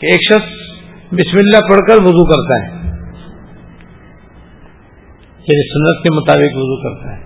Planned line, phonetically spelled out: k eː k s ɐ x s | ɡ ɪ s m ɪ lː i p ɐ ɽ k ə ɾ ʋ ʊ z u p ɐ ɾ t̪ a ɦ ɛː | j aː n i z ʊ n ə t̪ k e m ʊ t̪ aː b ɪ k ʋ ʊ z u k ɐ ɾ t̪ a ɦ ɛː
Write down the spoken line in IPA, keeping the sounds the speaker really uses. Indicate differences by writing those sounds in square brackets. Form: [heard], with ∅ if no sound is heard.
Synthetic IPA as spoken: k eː k [ʃ] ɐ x s | [b] ɪ s m ɪ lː [a] p ɐ ɽ k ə ɾ ʋ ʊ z u [k] ɐ ɾ t̪ a ɦ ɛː | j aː n i [s] ʊ [nː] ə t̪ k e m ʊ t̪ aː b ɪ k ʋ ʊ z u k ɐ ɾ t̪ a ɦ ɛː